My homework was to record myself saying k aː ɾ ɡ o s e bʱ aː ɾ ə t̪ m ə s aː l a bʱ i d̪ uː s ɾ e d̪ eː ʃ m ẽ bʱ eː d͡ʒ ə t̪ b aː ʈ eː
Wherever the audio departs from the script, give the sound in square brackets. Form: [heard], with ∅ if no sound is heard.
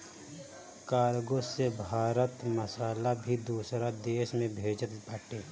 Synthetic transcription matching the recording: k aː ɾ ɡ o s e bʱ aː ɾ ə t̪ m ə s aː l a bʱ i d̪ uː s ɾ [a] d̪ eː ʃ m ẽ bʱ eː d͡ʒ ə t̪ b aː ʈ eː